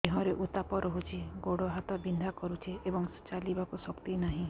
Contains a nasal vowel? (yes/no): yes